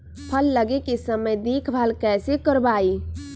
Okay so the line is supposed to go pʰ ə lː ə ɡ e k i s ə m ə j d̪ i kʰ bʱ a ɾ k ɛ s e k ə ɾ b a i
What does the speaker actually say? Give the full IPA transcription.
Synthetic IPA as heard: pʰ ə lː ə ɡ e k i s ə m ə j d̪ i kʰ bʱ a l k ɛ s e k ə ɾ b a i